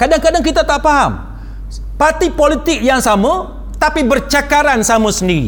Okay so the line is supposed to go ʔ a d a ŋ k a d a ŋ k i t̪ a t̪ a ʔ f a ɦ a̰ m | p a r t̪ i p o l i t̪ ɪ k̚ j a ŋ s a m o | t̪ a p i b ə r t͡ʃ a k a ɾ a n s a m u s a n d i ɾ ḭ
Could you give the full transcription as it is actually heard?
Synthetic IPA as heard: k a d a ŋ k a d a ŋ k i t̪ a t̪ a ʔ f a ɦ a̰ m | p a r t̪ i p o l i t̪ ɪ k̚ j a ŋ s a m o | t̪ a p i b ə r t͡ʃ a k a ɾ a n s a m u s ə n d i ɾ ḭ